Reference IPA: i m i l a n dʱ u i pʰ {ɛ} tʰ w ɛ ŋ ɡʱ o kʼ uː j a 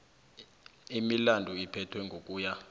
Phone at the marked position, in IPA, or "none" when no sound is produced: ɛ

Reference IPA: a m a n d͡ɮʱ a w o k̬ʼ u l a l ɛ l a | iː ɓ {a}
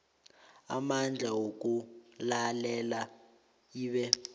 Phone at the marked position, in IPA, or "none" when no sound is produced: ɛ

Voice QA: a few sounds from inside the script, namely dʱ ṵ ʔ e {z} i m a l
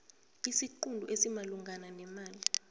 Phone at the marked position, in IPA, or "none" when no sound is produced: s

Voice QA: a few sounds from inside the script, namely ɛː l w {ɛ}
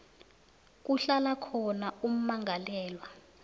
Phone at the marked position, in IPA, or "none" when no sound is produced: a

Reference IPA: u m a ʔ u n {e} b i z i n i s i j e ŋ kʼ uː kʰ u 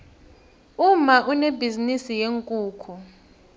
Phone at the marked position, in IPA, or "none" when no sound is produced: e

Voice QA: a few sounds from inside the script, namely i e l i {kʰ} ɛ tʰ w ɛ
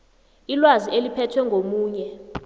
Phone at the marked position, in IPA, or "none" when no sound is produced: pʰ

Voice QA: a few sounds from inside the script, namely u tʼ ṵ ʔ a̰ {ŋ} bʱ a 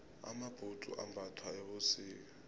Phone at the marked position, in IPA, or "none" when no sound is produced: m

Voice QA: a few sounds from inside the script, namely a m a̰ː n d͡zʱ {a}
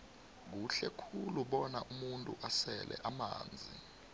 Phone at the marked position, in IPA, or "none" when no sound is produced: i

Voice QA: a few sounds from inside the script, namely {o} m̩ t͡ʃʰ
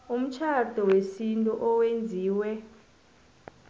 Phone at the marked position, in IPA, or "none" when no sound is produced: u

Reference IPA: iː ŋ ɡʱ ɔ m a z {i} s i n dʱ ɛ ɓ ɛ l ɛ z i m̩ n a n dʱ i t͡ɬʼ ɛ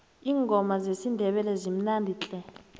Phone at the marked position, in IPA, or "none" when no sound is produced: e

